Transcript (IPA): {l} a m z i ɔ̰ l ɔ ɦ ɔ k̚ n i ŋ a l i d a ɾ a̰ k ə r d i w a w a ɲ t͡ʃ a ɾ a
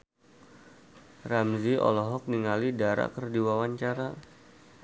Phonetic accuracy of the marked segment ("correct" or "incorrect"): incorrect